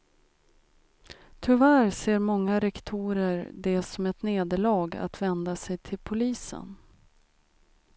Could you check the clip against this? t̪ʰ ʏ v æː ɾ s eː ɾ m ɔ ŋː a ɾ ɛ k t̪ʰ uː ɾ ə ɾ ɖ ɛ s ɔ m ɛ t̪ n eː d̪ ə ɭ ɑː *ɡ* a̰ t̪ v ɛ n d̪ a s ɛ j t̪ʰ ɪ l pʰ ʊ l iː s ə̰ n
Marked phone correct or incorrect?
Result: correct